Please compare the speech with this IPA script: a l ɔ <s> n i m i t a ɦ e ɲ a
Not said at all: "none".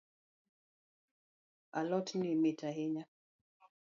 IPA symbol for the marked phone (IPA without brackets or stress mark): t